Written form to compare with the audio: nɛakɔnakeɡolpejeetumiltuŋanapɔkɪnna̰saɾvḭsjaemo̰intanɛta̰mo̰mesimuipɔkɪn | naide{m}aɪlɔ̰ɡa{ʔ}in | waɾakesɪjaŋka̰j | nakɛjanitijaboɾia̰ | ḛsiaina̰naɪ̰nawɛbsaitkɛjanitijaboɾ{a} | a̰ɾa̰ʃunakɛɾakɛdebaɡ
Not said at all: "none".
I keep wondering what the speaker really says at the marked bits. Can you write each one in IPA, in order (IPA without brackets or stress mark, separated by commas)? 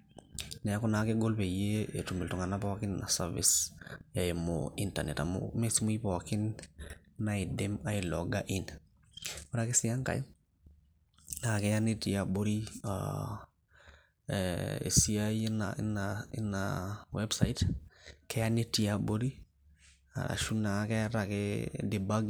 m, ʔ, i